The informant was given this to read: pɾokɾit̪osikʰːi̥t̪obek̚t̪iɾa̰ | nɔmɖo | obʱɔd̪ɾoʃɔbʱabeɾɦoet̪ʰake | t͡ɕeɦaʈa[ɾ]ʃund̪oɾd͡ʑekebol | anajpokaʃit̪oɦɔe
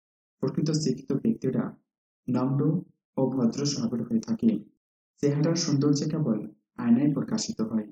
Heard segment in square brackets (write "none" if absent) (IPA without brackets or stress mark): ɾ